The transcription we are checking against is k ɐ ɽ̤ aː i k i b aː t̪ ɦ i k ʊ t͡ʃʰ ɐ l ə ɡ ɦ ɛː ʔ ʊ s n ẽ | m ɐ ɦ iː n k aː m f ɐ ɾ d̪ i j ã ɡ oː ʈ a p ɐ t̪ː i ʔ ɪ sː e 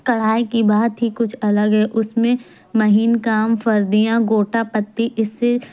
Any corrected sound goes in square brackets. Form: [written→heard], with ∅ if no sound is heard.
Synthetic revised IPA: k ɐ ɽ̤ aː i k i b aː t̪ ɦ i k ʊ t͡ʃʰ ɐ l ə ɡ ɦ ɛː ʔ ʊ s [n→m] ẽ | m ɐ ɦ iː n k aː m f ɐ ɾ d̪ i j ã ɡ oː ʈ a p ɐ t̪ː i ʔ ɪ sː e